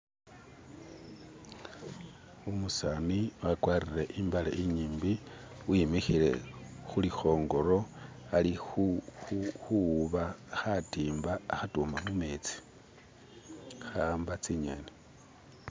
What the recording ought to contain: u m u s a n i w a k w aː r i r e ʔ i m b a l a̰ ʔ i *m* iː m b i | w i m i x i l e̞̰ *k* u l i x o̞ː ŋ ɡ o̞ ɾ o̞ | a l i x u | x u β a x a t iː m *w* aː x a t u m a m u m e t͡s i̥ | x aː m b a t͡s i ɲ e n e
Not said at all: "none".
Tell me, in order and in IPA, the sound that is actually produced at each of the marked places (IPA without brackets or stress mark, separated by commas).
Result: ɲ, x, b